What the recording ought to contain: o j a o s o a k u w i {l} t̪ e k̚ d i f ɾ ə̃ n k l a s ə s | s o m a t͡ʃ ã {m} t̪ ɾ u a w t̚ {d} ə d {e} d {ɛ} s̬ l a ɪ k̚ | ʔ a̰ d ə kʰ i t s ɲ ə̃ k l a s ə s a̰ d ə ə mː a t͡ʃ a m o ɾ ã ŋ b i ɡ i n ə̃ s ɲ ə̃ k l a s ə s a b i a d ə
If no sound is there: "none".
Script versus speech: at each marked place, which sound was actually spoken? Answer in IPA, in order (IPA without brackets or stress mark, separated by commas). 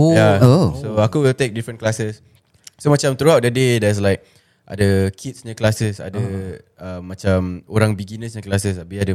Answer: l, m, d, e, ɛ